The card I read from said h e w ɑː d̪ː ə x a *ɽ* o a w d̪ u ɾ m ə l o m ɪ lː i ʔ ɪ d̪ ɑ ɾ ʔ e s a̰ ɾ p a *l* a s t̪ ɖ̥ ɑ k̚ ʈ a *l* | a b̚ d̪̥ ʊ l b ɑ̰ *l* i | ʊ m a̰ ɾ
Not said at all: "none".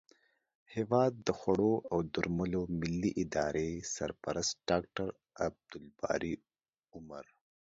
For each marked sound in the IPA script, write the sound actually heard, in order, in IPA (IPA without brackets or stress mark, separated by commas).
ɽ, ɾ, ɾ, ɾ